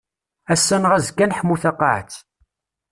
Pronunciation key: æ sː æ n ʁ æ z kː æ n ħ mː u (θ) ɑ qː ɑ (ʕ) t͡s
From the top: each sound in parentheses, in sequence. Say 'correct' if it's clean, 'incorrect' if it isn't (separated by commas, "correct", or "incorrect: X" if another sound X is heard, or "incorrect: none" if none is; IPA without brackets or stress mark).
correct, correct